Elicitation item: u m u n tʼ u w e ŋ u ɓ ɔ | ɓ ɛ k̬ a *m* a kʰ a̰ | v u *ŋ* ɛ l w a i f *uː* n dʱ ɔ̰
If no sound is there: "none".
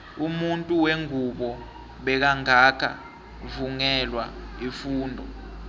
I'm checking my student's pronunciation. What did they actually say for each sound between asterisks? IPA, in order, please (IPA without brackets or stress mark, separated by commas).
ŋ, ŋ, uː